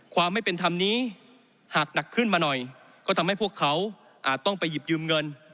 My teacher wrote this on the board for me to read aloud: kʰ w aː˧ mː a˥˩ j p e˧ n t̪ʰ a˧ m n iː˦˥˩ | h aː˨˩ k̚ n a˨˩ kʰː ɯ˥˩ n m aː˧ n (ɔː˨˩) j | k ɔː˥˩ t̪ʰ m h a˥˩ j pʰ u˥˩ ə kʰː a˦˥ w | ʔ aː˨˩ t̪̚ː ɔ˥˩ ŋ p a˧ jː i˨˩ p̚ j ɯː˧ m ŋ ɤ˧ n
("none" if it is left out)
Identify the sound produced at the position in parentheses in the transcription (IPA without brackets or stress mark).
ɔ˨˩